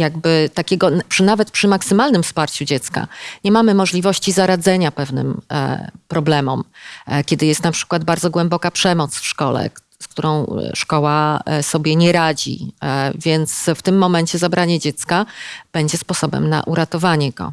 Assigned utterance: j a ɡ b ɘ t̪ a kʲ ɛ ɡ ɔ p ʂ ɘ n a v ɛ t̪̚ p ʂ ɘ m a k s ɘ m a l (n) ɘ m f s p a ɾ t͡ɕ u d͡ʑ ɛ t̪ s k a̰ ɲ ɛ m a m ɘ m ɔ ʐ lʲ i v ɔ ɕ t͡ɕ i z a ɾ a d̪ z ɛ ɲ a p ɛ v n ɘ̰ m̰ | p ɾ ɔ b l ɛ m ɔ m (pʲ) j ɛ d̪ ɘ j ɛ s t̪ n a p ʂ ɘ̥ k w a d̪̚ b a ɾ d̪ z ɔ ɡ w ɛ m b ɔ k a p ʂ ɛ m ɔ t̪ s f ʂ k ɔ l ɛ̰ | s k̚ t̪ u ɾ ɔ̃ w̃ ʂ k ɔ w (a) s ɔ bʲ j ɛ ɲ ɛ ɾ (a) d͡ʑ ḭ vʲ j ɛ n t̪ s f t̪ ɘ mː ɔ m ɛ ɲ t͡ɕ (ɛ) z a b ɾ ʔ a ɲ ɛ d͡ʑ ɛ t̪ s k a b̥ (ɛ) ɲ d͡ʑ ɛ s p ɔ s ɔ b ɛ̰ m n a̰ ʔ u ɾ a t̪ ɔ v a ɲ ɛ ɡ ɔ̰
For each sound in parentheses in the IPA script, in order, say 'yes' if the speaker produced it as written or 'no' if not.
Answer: yes, no, yes, yes, yes, yes

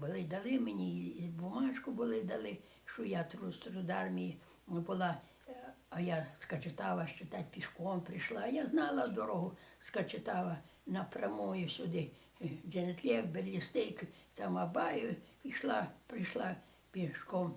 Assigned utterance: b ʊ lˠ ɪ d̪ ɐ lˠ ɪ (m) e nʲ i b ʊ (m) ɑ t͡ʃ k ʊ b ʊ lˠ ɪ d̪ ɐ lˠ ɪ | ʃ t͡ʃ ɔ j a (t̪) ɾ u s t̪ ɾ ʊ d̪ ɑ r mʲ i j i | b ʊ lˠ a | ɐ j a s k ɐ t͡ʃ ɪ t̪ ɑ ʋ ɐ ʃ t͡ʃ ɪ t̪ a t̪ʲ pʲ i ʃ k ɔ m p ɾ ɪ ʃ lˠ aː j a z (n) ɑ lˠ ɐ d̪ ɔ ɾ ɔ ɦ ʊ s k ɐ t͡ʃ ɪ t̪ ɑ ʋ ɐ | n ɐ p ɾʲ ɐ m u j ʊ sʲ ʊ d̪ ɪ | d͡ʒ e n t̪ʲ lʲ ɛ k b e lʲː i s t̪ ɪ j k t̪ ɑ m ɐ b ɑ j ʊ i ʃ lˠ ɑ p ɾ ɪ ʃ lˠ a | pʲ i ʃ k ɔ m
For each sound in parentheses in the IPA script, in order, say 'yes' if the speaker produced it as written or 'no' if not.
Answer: yes, yes, yes, yes

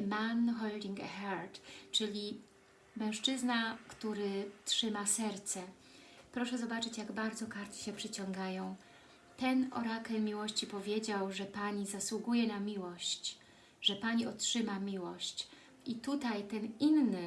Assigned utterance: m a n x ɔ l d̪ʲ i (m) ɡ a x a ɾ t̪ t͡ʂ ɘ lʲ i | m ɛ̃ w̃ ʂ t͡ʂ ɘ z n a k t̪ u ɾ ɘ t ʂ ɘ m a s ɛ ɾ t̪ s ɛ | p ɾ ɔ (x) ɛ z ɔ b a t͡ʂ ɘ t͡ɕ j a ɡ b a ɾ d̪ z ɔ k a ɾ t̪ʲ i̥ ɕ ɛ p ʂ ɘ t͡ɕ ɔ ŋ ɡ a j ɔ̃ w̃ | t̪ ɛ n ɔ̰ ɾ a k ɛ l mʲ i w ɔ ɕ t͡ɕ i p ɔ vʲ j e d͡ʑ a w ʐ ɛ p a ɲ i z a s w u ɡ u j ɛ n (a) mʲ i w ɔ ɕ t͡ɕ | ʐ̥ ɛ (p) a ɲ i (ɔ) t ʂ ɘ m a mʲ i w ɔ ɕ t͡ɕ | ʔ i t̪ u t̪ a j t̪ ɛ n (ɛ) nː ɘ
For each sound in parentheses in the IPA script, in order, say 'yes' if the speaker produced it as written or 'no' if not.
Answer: no, no, yes, yes, yes, no

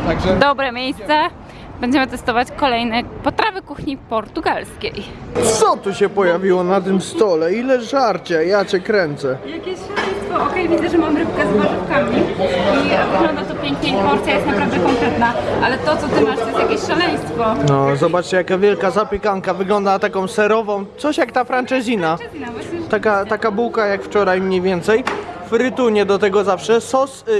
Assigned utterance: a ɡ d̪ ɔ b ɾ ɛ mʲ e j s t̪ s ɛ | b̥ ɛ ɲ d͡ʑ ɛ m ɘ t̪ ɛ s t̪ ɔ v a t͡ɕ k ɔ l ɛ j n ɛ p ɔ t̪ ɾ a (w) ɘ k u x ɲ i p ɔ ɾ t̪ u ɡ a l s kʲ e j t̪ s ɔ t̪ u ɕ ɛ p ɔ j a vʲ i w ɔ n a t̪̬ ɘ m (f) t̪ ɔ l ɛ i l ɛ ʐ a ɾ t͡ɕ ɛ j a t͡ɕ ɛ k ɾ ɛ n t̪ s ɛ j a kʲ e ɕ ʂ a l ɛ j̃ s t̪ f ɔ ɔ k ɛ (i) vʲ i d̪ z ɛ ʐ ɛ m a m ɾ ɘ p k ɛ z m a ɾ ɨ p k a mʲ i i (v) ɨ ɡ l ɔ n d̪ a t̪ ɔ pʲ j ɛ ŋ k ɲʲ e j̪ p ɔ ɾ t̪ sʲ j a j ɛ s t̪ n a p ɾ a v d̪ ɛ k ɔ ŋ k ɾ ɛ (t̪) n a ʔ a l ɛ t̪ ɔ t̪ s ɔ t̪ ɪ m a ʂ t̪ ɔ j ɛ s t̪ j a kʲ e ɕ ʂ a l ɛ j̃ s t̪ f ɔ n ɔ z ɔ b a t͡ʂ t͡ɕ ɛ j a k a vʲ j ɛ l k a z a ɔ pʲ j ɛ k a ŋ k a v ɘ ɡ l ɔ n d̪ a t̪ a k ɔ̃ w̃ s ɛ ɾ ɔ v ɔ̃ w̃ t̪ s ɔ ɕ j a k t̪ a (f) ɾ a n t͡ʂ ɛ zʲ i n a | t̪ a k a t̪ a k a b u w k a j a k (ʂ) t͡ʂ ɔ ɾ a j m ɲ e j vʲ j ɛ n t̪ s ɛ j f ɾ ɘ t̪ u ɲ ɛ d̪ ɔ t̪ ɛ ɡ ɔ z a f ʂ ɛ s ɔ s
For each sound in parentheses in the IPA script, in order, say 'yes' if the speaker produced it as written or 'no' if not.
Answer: no, no, no, yes, yes, yes, no

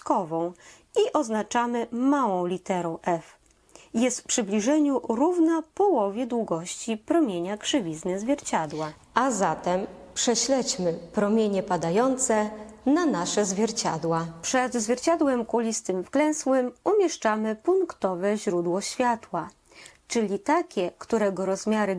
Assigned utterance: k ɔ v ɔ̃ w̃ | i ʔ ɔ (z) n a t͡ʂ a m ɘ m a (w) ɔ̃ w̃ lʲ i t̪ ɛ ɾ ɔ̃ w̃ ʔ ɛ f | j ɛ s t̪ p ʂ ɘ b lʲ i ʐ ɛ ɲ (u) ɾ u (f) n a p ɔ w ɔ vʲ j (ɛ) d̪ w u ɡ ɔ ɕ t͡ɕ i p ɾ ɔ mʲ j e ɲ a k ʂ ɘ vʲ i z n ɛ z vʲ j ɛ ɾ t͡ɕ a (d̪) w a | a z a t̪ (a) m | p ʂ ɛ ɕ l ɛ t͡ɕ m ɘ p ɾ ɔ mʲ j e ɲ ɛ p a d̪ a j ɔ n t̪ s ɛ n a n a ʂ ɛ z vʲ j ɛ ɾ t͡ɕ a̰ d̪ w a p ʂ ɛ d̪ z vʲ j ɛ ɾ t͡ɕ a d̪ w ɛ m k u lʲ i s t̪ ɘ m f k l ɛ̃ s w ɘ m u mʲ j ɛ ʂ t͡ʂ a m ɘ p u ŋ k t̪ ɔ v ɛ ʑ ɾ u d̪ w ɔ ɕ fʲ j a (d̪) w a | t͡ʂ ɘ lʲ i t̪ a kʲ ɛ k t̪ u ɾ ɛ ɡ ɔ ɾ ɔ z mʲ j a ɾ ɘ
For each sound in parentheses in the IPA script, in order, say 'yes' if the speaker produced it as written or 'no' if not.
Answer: yes, yes, yes, no, yes, yes, no, no

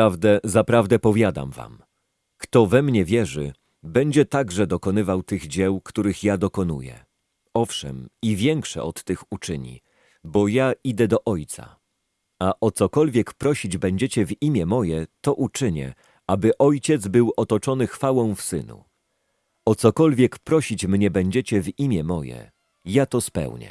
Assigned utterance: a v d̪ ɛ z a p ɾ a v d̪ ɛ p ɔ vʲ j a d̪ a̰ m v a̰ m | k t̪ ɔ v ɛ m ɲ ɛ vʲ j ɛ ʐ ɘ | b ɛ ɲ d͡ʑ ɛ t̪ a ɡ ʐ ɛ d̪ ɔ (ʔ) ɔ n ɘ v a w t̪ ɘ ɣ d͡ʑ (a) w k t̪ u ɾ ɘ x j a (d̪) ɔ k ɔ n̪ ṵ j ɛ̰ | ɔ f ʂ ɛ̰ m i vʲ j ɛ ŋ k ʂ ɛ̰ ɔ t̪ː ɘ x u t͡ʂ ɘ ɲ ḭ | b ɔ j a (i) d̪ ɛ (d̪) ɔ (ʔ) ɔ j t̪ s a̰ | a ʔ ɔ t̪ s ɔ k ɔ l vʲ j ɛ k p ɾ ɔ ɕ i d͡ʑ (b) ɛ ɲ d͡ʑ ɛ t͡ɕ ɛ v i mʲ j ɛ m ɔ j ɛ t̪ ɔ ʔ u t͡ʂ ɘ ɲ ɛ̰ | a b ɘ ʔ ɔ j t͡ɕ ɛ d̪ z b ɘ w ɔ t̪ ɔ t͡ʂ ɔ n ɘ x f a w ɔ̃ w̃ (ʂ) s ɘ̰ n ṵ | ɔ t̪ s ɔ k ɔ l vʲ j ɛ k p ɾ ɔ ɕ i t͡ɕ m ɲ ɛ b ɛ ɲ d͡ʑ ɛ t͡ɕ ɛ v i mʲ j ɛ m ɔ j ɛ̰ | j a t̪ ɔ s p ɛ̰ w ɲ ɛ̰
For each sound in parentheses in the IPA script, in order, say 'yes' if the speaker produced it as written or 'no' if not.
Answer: no, no, yes, yes, yes, yes, yes, no

